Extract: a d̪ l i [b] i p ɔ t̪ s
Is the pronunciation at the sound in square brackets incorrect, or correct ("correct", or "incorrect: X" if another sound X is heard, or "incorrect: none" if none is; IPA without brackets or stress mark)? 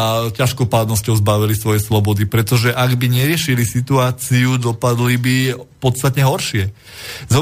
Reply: correct